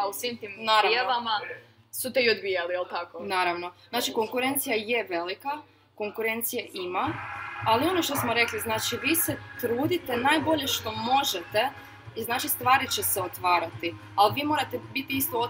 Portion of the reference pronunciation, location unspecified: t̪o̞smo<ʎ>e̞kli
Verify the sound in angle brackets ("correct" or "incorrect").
incorrect